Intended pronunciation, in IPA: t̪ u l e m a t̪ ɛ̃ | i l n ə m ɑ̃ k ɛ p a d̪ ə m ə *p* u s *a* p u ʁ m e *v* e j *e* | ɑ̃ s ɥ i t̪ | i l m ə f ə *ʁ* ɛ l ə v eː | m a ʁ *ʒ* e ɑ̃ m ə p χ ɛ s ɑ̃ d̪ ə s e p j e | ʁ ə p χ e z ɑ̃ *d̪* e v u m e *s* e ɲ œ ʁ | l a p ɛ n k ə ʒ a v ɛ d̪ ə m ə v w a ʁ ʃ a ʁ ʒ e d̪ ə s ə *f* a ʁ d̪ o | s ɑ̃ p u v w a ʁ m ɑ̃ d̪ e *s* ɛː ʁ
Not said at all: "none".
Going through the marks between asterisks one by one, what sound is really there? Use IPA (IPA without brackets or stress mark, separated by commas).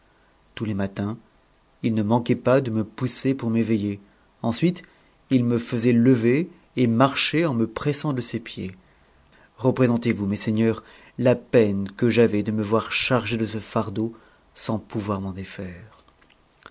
p, e, v, e, z, ʃ, t̪, s, f, f